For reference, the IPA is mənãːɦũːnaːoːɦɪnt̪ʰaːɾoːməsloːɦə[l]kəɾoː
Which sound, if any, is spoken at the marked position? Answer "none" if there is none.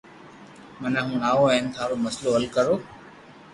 l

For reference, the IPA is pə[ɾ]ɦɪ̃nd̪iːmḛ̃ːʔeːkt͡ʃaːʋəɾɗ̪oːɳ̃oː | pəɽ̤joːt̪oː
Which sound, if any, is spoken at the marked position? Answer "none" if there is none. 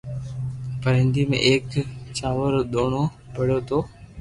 ɾ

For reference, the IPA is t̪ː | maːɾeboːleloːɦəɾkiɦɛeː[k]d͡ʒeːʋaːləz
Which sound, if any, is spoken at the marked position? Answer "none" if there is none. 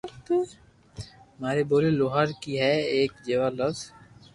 k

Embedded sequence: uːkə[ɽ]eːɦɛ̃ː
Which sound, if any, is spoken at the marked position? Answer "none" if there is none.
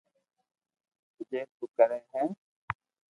ɾ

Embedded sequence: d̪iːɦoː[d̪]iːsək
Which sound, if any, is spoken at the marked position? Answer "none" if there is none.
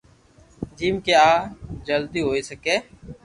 none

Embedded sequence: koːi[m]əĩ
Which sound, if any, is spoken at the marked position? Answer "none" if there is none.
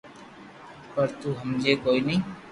n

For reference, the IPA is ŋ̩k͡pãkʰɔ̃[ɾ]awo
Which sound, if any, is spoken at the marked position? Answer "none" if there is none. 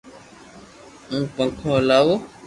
l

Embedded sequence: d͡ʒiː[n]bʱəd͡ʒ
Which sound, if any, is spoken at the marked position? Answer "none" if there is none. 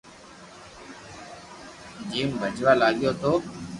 m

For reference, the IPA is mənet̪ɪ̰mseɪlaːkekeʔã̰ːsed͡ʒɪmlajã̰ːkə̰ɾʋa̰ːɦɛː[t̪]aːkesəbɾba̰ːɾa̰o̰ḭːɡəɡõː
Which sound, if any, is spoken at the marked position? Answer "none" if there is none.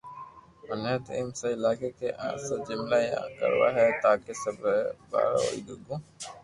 t̪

